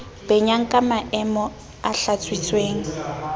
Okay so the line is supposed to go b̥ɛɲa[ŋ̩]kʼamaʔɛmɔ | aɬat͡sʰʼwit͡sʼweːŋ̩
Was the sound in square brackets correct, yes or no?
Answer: yes